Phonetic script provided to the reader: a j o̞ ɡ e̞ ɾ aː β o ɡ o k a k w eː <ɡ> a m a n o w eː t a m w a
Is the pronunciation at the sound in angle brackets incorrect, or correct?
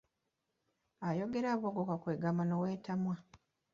correct